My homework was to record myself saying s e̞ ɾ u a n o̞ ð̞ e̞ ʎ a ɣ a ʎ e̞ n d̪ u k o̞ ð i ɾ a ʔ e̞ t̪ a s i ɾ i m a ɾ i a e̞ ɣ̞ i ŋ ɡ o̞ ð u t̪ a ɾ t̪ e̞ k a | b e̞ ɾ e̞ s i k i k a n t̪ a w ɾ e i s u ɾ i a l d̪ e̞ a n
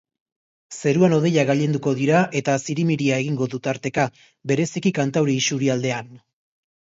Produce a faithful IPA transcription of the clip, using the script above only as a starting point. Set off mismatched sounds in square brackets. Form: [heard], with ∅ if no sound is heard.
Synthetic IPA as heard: s e̞ ɾ u a n o̞ ð̞ e̞ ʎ a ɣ a ʎ e̞ n d̪ u k o̞ ð i ɾ a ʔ e̞ t̪ a s i ɾ i m [i] ɾ i a e̞ ɣ̞ i ŋ ɡ o̞ ð u t̪ a ɾ t̪ e̞ k a | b e̞ ɾ e̞ s i k i k a n t̪ a w ɾ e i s u ɾ i a l d̪ e̞ a n